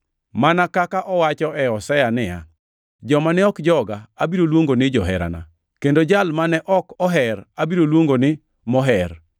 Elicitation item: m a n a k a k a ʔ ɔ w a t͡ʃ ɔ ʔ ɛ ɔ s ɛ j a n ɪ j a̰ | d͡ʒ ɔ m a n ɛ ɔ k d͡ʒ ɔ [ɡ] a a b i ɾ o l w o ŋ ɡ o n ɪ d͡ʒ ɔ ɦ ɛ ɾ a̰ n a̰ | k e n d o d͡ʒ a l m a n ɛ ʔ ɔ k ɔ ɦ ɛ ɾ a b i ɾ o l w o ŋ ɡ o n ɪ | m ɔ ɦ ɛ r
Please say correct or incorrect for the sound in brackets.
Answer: correct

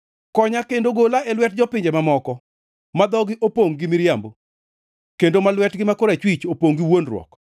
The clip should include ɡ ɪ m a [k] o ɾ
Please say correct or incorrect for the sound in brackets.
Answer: correct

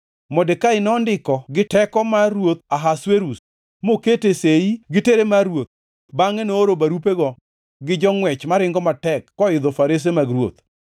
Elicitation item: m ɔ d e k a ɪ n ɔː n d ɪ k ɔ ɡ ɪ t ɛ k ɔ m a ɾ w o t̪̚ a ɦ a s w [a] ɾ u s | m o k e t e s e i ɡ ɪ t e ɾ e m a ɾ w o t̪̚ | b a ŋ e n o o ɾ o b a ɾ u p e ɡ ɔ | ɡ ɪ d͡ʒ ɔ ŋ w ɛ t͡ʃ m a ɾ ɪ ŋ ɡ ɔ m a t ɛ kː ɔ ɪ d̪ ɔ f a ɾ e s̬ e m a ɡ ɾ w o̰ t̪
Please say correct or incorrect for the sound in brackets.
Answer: incorrect: e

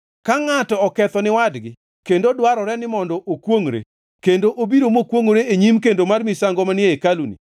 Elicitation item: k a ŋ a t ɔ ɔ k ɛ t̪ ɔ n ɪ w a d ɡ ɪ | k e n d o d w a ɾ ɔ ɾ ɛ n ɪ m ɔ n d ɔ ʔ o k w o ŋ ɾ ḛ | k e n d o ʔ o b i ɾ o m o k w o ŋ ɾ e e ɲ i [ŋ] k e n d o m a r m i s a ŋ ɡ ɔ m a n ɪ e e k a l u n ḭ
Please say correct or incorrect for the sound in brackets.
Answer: incorrect: m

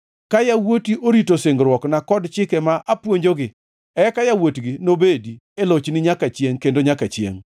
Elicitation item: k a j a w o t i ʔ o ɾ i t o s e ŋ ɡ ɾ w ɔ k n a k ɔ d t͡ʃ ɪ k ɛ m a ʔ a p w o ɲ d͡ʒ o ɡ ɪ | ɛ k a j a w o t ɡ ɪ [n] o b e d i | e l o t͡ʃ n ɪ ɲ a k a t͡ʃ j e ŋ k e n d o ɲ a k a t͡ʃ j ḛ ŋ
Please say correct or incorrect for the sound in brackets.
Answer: correct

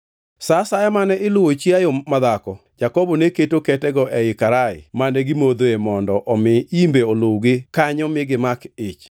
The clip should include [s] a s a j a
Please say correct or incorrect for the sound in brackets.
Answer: correct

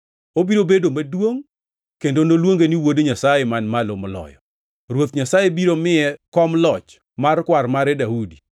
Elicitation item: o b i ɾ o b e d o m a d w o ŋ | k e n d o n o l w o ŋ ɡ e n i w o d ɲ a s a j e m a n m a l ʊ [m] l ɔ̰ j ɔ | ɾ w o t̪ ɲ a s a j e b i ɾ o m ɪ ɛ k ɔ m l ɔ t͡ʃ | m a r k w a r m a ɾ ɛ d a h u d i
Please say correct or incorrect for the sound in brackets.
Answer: correct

